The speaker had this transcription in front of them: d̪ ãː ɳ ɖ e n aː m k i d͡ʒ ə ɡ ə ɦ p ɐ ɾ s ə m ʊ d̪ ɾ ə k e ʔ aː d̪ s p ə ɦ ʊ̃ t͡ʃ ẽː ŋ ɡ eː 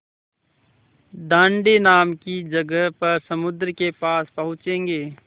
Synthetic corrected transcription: d̪ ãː ɳ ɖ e n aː m k i d͡ʒ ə ɡ ə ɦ p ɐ ɾ s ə m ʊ d̪ ɾ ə k e p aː s p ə ɦ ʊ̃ t͡ʃ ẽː ŋ ɡ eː